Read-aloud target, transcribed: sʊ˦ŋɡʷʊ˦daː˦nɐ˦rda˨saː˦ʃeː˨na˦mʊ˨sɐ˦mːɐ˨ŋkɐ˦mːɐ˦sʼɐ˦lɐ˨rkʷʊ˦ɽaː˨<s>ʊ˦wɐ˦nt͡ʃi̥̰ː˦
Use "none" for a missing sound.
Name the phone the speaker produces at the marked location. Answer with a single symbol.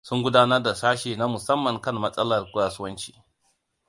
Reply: s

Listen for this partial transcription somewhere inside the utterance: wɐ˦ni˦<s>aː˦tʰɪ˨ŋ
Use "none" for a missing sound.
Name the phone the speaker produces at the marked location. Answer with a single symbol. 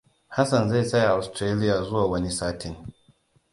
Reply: s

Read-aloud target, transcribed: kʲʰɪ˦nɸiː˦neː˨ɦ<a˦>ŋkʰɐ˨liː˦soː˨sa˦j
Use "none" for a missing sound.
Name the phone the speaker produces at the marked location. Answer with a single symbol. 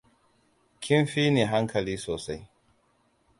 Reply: a˦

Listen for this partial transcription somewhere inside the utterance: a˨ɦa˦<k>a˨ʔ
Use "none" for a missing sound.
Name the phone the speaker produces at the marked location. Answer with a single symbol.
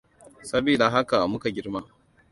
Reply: k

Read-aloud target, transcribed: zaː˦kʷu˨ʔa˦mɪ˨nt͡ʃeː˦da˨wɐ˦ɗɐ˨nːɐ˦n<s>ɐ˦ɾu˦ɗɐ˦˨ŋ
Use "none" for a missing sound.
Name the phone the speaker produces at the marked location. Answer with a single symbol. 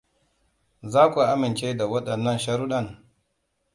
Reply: ʃ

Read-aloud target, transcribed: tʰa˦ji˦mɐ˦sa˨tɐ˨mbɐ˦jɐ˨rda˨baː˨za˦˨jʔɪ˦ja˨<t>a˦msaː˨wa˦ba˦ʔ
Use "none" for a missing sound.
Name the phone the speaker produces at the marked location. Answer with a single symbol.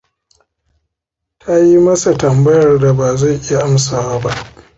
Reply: ʔ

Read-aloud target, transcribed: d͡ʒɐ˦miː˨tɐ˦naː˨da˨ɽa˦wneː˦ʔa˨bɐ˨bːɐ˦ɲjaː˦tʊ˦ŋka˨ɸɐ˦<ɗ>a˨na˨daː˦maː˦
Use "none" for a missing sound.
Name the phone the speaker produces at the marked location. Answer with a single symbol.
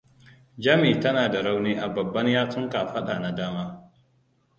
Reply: ɗ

